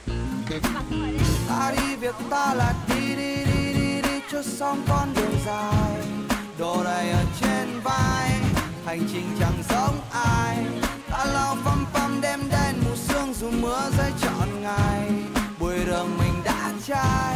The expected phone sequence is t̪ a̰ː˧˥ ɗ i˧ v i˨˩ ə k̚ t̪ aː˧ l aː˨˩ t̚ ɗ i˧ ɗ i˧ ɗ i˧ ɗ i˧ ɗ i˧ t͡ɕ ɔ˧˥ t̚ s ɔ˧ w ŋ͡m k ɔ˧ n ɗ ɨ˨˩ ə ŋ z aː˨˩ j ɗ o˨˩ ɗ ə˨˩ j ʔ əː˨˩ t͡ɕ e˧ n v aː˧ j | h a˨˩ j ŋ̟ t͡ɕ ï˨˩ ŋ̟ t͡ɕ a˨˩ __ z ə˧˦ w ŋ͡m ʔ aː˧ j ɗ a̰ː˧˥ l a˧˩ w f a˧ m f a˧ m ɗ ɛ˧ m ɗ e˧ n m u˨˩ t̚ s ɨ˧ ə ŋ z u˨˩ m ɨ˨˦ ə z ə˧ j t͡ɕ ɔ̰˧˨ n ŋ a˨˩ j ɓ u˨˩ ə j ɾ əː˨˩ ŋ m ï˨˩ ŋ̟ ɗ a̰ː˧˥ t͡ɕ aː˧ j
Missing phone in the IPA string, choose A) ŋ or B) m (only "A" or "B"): A